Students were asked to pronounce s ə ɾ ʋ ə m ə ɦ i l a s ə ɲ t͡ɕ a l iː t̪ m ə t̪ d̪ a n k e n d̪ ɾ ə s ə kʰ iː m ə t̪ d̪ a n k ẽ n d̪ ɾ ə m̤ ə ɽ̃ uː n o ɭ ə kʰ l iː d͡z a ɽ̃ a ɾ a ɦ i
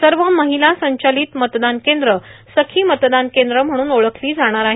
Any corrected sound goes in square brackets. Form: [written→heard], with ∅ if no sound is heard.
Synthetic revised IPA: s ə ɾ ʋ ə m ə ɦ i l a s ə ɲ t͡ɕ a l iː t̪ m ə t̪ d̪ a n k e n d̪ ɾ ə s ə kʰ iː m ə t̪ d̪ a n k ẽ n d̪ ɾ ə m̤ ə ɽ̃ uː n o ɭ ə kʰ l iː d͡z a ɽ̃ a ɾ a ɦ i